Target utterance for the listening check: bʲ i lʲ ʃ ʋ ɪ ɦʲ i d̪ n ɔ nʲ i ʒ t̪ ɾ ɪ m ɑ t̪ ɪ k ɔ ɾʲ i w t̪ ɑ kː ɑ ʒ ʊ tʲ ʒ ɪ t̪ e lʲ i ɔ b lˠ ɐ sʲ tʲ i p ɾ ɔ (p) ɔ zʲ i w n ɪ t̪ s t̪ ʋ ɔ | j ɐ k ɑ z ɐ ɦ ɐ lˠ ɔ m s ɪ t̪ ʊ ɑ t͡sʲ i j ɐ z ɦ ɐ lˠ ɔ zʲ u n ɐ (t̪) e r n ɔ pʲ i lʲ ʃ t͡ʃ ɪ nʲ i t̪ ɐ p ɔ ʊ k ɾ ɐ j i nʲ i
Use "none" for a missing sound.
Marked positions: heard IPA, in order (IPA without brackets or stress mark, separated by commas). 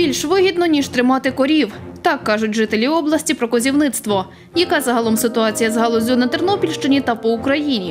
k, t̪